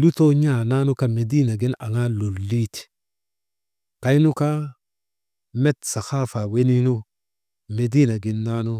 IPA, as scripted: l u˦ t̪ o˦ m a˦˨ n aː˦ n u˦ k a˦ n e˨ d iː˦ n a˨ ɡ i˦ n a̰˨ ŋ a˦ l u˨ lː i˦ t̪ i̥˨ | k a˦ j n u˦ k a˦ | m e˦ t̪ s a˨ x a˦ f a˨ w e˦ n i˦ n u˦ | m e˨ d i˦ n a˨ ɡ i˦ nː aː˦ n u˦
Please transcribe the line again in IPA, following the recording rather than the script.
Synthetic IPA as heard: l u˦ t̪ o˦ ɲ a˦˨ n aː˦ n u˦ k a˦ m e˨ d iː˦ n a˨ ɡ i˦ n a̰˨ ŋ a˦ l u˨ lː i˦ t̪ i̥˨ | k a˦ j n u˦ k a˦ | m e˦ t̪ s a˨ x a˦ f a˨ w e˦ n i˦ n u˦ | m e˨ d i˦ n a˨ ɡ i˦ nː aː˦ n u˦

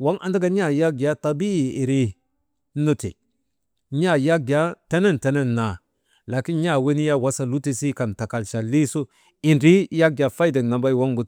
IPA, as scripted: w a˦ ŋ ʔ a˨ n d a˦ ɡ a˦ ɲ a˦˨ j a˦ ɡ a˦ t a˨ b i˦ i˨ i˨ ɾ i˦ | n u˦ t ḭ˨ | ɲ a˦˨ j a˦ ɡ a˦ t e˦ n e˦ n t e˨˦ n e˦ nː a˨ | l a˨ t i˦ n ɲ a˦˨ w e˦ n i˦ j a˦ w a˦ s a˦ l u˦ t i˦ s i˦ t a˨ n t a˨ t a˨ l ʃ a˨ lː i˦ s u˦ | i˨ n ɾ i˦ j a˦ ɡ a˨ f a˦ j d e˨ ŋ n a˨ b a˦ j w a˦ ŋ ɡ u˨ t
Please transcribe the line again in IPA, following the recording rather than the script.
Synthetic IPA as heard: w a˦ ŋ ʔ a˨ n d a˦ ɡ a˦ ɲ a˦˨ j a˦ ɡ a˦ t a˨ b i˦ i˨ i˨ ɾ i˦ | n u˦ t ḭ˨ | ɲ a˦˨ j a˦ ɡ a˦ t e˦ n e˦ n t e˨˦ n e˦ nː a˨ | l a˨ k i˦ n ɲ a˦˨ w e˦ n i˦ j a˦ w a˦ s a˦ l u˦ t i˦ s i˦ k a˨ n t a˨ k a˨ l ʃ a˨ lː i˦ s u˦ | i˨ n ɾ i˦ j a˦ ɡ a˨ f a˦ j d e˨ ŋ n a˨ b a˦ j w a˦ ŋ ɡ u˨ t

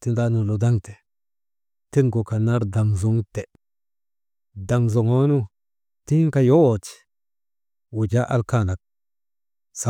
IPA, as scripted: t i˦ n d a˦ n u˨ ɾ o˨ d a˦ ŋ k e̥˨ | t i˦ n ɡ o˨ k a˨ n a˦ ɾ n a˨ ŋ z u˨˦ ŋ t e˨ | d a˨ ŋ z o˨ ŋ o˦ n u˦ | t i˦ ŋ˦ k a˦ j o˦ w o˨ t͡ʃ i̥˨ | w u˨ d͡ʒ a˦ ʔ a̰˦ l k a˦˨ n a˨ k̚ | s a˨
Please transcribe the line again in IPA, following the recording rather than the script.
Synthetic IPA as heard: t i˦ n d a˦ n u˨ l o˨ d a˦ ŋ t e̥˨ | t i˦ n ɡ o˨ k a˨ n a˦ ɾ d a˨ ŋ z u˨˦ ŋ t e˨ | d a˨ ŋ z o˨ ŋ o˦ n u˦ | t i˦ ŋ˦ k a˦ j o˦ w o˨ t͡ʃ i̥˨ | w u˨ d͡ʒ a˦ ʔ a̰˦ l k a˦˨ n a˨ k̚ | s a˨

